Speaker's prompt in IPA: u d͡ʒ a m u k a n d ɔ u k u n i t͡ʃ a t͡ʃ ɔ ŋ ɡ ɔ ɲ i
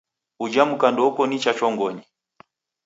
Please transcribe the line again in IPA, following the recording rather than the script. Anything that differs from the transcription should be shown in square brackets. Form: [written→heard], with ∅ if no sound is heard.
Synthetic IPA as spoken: u d͡ʒ a m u k a n d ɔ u k [u→ɔ] n i t͡ʃ a t͡ʃ ɔ ŋ ɡ ɔ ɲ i